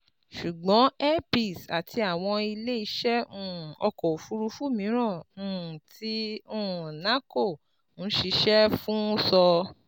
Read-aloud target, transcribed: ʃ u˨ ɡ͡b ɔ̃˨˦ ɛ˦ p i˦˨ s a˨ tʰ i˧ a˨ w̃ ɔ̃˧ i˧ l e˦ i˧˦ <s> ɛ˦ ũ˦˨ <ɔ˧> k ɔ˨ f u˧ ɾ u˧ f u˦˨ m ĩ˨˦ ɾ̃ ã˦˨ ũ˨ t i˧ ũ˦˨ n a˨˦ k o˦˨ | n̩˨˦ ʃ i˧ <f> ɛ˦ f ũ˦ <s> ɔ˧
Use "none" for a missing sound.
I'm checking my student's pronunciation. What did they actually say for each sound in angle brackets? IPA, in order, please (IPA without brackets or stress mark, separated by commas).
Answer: ʃ, ɔ˧, ʃ, s